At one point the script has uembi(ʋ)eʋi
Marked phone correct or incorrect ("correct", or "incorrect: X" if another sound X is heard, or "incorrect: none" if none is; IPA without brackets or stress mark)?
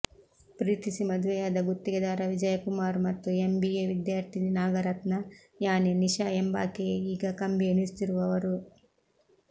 incorrect: none